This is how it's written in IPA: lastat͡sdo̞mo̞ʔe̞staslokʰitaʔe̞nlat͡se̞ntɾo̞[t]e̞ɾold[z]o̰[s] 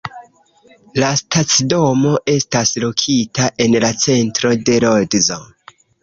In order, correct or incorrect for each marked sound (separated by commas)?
incorrect, correct, incorrect